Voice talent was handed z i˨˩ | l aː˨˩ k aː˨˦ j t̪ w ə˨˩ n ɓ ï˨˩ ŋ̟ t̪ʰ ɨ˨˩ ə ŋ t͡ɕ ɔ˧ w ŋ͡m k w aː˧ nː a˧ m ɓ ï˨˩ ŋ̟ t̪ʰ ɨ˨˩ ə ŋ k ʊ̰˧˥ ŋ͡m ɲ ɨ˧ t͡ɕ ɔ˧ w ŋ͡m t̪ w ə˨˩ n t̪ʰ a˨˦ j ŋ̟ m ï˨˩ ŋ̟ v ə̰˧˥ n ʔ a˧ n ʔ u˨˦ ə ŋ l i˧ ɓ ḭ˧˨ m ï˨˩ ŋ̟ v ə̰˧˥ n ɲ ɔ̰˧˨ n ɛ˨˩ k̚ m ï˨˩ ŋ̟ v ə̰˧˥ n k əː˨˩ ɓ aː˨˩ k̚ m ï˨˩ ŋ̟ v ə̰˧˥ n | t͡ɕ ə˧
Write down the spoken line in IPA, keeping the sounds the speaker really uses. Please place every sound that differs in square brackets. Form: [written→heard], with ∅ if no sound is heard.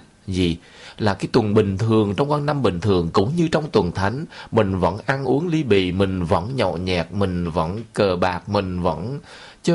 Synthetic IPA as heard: z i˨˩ | l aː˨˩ k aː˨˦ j t̪ w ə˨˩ n ɓ ï˨˩ ŋ̟ t̪ʰ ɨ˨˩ ə ŋ t͡ɕ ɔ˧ w ŋ͡m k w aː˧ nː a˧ m ɓ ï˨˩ ŋ̟ t̪ʰ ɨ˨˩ ə ŋ k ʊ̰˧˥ ŋ͡m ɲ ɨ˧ t͡ɕ ɔ˧ w ŋ͡m t̪ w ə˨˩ n t̪ʰ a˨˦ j ŋ̟ m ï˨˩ ŋ̟ v ə̰˧˥ n ʔ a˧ n ʔ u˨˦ ə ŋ l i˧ ɓ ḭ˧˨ m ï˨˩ ŋ̟ v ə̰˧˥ n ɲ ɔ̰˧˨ [n→ɲ] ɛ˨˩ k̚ m ï˨˩ ŋ̟ v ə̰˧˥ n k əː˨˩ ɓ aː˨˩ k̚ m ï˨˩ ŋ̟ v ə̰˧˥ n | t͡ɕ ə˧